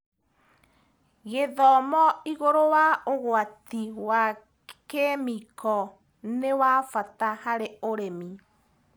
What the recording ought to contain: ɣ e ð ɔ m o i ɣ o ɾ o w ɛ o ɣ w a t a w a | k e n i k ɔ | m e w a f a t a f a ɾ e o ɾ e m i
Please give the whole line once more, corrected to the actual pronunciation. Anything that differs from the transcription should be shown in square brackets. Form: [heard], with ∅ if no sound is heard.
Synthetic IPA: ɣ e ð ɔ m [ɔ] i ɣ o ɾ o w [a] o ɣ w a t [i] w a | k e [m] i k ɔ | [n] e w a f a t a [h] a ɾ e o ɾ e m i